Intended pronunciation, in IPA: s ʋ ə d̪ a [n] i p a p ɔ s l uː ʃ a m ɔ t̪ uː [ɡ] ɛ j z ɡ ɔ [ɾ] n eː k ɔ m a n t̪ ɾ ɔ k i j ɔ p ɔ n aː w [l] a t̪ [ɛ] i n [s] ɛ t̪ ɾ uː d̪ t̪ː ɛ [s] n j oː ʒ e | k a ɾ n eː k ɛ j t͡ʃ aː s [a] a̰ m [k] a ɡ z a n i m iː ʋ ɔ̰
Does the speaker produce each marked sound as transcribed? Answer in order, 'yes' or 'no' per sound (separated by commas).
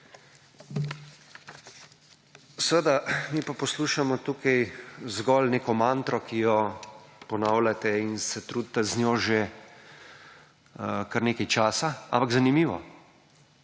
no, no, no, yes, yes, yes, no, yes, no